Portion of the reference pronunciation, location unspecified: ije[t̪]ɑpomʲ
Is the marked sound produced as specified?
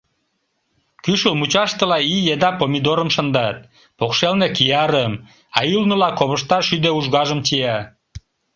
no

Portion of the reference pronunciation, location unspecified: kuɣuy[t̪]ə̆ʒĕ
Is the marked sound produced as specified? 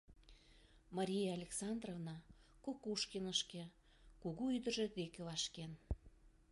no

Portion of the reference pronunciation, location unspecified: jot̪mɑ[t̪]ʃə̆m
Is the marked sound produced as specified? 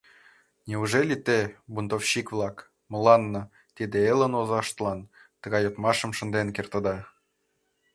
no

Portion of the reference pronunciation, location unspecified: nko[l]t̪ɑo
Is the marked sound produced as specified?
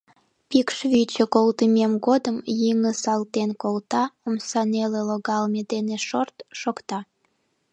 yes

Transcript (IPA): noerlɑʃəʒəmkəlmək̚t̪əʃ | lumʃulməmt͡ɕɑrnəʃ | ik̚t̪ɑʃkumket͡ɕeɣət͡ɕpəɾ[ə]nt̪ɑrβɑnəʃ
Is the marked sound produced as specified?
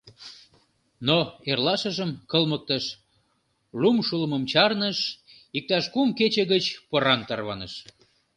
no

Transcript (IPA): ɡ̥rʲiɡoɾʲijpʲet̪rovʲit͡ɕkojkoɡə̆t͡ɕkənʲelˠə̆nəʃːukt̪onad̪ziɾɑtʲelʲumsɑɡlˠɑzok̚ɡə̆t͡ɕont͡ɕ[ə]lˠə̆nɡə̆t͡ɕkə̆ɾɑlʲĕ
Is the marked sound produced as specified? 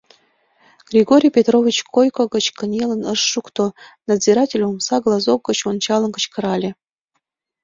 no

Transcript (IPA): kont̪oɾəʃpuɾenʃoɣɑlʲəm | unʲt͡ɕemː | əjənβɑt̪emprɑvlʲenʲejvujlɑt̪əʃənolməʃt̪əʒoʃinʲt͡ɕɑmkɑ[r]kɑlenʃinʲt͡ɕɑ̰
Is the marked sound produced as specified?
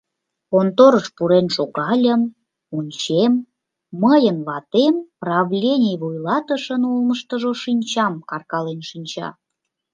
yes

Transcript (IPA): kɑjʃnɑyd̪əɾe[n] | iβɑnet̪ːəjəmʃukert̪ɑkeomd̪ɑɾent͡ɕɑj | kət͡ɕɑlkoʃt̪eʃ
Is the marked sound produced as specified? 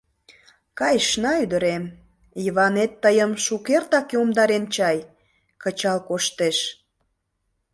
no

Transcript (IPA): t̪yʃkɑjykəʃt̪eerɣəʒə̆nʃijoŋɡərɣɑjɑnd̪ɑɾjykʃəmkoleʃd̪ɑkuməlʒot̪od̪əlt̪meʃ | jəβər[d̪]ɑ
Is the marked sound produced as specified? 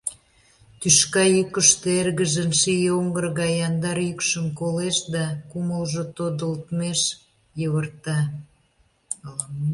no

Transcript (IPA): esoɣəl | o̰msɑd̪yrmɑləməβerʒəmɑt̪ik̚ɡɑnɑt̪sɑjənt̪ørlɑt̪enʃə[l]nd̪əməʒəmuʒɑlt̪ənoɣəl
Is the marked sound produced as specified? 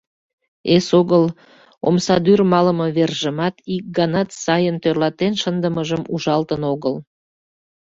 no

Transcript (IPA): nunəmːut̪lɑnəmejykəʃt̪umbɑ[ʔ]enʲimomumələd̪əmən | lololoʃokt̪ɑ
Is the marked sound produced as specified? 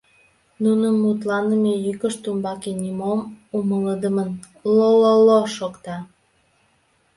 no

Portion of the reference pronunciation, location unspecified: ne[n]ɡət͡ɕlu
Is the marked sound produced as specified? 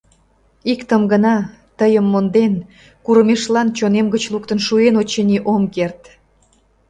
no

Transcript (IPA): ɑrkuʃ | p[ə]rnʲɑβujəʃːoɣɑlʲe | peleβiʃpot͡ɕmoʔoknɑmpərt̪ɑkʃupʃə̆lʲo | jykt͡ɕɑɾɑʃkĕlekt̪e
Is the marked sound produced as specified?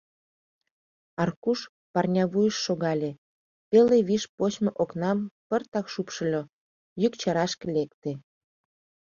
no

